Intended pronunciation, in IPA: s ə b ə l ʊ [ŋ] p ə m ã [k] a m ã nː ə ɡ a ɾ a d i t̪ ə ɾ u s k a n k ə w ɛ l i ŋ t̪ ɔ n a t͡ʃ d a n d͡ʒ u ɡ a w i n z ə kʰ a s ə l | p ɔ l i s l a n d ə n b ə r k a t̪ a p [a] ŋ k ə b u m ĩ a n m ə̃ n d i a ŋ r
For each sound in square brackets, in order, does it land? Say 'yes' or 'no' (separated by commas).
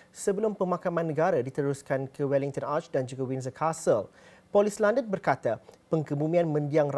no, yes, no